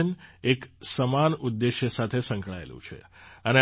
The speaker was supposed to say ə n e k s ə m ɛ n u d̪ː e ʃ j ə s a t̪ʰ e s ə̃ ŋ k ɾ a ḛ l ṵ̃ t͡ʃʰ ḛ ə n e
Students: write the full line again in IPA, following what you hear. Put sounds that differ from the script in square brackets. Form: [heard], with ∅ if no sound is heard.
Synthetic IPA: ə n e k s ə m [a] n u d̪ː e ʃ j ə s a t̪ʰ e s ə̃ ŋ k [ɭ] a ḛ l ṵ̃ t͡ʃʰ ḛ ə n e

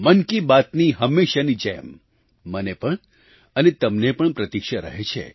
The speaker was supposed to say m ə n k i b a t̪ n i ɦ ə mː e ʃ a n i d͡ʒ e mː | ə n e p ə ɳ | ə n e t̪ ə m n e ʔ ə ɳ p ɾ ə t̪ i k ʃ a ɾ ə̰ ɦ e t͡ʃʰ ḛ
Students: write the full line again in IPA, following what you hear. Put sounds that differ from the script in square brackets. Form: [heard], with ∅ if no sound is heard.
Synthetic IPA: m ə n k i b a t̪ n i ɦ ə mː e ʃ a n i d͡ʒ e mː | ə n e p ə ɳ | ə n e t̪ ə m n e [p] ə ɳ p ɾ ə t̪ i k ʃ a ɾ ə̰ ɦ e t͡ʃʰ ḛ

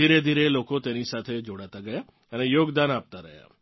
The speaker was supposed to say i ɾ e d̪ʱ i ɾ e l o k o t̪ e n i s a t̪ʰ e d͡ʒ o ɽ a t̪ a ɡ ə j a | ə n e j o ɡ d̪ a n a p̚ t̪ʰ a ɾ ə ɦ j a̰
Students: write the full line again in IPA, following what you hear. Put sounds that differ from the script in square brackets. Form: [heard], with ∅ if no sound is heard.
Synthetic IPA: i ɾ e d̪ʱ i ɾ e l o k o t̪ e n i s a t̪ʰ e d͡ʒ o ɽ a t̪ a ɡ ə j a | ə n e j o ɡ d̪ a n a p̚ [t̪] a ɾ ə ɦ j a̰

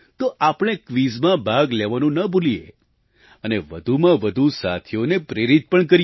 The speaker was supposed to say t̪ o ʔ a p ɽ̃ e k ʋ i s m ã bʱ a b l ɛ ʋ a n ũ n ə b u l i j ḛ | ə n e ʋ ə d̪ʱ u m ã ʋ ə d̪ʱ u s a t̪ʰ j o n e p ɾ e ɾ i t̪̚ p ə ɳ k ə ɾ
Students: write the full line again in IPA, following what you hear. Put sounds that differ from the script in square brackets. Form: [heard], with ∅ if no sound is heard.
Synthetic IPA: t̪ o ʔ a p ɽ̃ e k ʋ i [z] m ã bʱ a [ɡ] l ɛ ʋ a n ũ n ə b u l i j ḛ | ə n e ʋ ə d̪ʱ u m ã ʋ ə d̪ʱ u s a t̪ʰ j o n e p ɾ e ɾ i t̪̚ p ə ɳ k ə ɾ

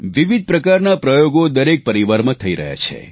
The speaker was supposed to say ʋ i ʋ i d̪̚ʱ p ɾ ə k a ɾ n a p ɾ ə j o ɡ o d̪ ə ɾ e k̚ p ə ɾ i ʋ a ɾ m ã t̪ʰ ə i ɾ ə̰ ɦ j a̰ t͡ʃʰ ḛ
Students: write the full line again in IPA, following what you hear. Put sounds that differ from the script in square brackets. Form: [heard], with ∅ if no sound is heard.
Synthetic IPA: ʋ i ʋ i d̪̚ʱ p ɾ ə k a ɾ n a p ɾ ə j o ɡ o d̪ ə ɾ e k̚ p ə ɾ i ʋ a ɾ m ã t̪ʰ ə i ɾ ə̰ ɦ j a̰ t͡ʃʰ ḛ

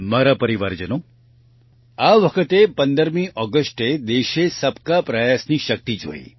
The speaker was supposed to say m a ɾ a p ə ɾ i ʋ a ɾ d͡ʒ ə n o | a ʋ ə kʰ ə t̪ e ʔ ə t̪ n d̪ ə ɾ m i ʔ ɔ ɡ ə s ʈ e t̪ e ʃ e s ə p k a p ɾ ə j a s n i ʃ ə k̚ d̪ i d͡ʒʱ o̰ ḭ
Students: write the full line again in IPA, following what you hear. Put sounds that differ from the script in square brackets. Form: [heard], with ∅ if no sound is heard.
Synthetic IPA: m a ɾ a p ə ɾ i ʋ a ɾ d͡ʒ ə n o | a ʋ ə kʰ ə t̪ e [p] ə [∅] n d̪ ə ɾ m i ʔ ɔ ɡ ə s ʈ e [d̪] e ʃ e s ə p k a p ɾ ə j a s n i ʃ ə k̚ [t̪] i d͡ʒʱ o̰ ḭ

